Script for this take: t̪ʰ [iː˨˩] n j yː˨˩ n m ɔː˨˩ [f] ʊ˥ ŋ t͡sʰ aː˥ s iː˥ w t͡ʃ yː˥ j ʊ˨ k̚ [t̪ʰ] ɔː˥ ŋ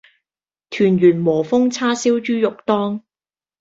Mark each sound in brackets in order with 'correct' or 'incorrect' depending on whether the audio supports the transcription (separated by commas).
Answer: incorrect, correct, incorrect